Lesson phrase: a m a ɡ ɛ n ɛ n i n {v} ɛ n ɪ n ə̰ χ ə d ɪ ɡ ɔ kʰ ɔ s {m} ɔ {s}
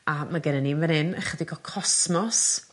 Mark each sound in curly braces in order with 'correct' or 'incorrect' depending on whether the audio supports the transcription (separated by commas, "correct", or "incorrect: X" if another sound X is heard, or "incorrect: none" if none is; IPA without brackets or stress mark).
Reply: correct, correct, correct